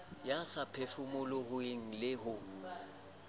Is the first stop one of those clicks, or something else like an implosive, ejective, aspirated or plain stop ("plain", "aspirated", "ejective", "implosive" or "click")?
aspirated